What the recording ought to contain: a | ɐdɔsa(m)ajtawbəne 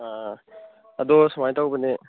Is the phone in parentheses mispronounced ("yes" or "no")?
no